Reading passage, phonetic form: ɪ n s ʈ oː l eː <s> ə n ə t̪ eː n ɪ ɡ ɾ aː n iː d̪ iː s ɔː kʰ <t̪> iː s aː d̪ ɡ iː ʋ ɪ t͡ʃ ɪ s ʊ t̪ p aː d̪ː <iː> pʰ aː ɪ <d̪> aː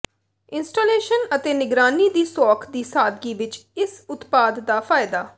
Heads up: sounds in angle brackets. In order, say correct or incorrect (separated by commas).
incorrect, incorrect, incorrect, correct